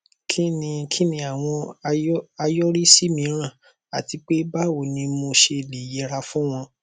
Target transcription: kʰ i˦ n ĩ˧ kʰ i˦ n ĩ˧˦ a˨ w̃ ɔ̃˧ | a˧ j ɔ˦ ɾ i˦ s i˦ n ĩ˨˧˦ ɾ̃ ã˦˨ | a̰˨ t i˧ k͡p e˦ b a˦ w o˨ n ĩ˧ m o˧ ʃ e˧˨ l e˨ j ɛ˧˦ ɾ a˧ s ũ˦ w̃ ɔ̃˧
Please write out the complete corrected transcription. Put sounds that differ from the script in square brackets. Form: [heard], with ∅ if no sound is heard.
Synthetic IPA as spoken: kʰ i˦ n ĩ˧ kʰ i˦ n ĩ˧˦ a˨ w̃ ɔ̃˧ | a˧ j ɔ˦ ɾ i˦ s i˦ [m] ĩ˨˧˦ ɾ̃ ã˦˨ | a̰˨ t i˧ k͡p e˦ b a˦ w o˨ n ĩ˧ m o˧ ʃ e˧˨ l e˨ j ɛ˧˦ ɾ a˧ [f] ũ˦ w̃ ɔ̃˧